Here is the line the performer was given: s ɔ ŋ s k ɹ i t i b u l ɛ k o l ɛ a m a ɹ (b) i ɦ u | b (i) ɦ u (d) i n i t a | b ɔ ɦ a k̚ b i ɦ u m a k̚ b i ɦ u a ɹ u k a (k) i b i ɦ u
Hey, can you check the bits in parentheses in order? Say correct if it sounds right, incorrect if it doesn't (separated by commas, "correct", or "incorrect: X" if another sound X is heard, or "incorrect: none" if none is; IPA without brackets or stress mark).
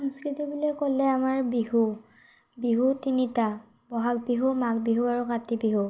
correct, correct, incorrect: t, incorrect: t